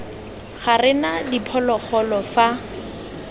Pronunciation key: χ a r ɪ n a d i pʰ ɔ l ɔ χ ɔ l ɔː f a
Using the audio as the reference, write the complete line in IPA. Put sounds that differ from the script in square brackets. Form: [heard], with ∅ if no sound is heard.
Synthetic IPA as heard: χ a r ɪ n a d i pʰ ɔ l ɔ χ ɔ l [ɔ] f a